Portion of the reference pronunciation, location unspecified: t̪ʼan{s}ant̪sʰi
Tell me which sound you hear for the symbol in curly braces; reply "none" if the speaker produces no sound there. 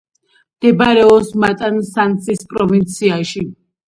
s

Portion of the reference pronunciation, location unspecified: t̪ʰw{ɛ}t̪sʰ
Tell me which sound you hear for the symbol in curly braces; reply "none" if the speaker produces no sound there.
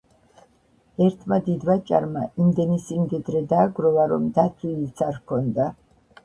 i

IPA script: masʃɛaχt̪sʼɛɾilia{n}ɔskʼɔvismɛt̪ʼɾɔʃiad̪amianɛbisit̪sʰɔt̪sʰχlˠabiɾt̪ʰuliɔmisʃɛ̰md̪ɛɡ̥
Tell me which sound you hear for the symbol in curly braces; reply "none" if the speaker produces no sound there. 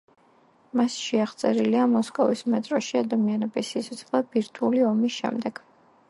m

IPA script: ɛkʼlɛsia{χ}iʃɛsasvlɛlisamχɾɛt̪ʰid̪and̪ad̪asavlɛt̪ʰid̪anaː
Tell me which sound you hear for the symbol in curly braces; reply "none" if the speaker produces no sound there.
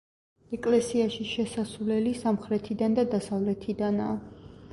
ʃ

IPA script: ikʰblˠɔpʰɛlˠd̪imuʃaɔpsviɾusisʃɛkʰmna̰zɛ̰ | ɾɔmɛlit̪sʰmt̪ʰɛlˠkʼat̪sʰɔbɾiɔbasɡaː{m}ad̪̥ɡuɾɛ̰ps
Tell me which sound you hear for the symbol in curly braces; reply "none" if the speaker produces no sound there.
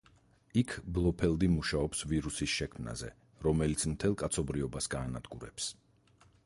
n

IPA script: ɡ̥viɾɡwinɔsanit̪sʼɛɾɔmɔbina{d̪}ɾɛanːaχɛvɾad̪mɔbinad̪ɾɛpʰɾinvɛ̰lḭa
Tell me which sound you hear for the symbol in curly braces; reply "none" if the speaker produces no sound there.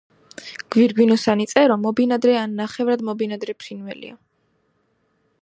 d̪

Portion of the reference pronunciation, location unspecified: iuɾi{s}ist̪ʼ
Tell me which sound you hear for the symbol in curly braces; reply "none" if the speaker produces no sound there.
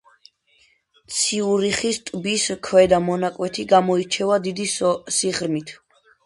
χ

